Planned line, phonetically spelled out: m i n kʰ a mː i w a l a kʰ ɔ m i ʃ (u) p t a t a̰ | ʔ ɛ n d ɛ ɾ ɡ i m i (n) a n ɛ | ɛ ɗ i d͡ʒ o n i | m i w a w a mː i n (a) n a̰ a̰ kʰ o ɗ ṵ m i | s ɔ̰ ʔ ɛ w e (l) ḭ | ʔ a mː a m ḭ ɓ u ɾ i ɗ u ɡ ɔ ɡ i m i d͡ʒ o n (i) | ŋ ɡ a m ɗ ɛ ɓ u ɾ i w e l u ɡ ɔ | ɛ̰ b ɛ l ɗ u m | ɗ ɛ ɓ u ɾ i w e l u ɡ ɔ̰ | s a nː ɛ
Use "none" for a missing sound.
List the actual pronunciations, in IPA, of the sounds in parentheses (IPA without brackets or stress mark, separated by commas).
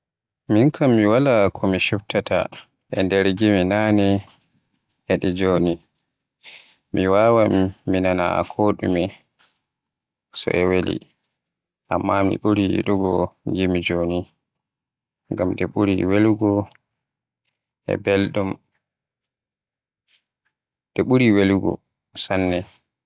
u, n, a, l, i